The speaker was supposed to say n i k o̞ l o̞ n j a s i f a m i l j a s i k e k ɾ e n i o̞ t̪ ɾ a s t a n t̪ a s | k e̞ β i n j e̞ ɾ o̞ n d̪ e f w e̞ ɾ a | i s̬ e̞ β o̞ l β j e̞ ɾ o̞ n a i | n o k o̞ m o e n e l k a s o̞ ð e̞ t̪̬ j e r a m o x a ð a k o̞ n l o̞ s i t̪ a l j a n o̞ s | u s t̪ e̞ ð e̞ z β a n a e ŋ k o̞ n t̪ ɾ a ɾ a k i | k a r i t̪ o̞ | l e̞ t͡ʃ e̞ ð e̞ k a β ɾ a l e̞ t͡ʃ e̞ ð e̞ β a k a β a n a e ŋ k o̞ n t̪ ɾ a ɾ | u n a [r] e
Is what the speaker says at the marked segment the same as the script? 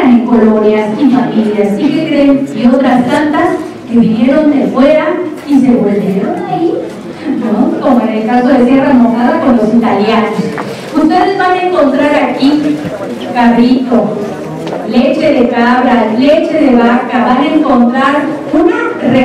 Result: yes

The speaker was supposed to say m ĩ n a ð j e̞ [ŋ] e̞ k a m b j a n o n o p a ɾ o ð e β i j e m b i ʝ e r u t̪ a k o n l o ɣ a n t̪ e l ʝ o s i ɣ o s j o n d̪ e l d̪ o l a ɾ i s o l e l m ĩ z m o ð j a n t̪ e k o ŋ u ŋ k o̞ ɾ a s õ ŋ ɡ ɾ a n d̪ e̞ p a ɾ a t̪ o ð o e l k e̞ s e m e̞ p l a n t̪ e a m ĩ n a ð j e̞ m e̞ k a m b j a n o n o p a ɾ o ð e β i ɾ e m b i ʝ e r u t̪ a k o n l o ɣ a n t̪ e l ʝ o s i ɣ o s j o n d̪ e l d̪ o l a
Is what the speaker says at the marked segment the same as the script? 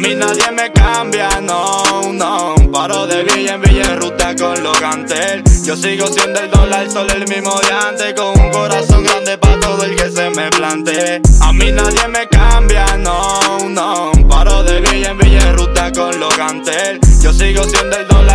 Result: no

